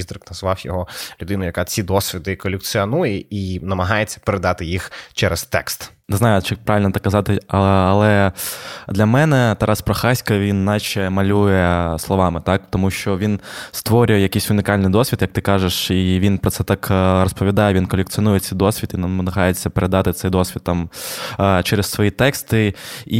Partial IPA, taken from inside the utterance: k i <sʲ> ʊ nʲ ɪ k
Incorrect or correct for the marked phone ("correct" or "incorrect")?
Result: correct